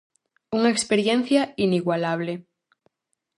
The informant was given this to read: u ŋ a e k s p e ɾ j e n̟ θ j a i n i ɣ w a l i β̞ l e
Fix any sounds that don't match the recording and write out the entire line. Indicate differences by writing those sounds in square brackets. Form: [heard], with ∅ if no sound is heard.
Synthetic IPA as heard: u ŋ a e k s p e ɾ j e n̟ θ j a i n i ɣ w a l [a] β̞ l e